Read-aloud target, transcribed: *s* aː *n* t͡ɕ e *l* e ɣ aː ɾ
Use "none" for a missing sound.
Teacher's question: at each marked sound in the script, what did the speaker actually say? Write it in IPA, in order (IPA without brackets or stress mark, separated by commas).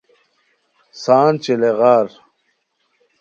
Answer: s, n, l